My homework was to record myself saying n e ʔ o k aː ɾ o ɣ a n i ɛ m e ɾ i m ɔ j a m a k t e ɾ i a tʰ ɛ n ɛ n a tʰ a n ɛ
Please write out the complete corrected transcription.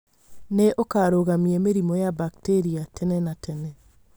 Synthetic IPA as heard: n e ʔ o k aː ɾ o ɣ a m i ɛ m e ɾ i m ɔ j a b a k t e ɾ i a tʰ ɛ n ɛ n a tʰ ɛ n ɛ